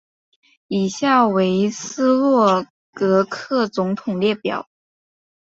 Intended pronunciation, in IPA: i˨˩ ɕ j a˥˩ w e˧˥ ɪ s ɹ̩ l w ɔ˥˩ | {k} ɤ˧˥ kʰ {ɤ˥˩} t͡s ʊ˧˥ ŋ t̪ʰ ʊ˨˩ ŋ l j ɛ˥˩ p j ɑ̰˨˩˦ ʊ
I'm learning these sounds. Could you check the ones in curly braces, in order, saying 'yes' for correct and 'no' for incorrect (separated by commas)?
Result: yes, yes